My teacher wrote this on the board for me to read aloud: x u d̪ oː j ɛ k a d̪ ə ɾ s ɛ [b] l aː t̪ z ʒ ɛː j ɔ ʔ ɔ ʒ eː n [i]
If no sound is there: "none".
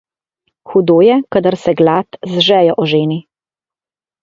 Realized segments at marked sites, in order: ɡ, i

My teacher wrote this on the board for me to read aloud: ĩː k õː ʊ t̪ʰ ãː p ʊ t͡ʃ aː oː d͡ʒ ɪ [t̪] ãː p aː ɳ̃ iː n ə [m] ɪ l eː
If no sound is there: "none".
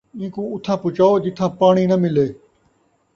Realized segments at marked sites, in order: t̪ʰ, m

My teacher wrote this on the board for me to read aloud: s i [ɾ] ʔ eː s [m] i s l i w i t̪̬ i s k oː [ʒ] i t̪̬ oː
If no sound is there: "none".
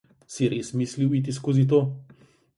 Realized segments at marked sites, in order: ɾ, m, z

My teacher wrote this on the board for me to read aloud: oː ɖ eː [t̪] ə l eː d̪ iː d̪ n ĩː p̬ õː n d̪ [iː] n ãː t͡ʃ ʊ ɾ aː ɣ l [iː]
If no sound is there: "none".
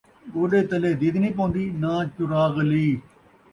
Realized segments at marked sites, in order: t̪, iː, iː

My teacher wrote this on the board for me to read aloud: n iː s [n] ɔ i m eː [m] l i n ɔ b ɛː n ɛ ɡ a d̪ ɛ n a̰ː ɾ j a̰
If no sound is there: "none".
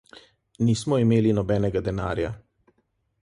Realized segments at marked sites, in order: m, none

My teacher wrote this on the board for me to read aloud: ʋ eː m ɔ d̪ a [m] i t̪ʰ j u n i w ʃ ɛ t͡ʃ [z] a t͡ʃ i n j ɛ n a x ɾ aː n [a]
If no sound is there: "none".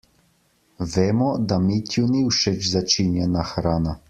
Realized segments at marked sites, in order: m, z, a

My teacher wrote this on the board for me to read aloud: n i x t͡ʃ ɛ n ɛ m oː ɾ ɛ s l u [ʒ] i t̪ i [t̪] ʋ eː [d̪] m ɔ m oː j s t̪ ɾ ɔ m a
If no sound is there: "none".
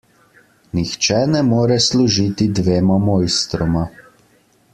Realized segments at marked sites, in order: ʒ, d̪, none

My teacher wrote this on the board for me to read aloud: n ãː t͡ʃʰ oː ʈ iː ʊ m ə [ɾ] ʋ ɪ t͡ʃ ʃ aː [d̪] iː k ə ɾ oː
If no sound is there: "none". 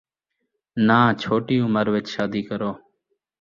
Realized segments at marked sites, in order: ɾ, d̪

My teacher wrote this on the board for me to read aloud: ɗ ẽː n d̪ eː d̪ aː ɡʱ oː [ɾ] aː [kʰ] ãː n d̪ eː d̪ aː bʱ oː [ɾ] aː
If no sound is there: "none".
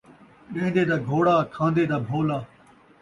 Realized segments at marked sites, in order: ɽ, kʰ, l

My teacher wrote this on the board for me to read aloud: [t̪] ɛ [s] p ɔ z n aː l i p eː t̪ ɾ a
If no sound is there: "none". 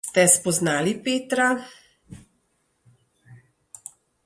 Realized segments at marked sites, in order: t̪, s

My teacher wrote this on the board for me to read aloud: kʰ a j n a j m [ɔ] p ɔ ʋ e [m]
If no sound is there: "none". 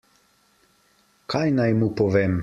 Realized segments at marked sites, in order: u, m

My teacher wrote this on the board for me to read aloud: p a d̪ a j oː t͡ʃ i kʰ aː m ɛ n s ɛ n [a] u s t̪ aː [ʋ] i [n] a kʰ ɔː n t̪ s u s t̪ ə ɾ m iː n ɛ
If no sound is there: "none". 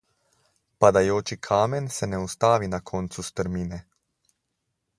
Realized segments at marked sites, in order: ɛ, ʋ, n

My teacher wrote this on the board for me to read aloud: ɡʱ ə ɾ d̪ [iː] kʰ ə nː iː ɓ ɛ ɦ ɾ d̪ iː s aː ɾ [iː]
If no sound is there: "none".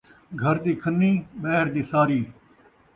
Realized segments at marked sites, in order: iː, iː

